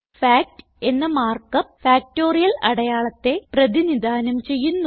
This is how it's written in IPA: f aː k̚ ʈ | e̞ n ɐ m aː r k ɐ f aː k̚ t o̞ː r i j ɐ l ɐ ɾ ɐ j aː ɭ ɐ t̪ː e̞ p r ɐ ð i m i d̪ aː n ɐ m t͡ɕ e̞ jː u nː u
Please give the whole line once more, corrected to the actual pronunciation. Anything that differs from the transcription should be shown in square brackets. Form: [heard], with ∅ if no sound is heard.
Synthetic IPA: f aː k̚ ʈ | e̞ [nː] ɐ m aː r k ɐ f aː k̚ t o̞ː r i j ɐ l ɐ [ɽ] ɐ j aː ɭ ɐ t̪ː e̞ p r ɐ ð i [n] i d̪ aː n ɐ m t͡ɕ e̞ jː u nː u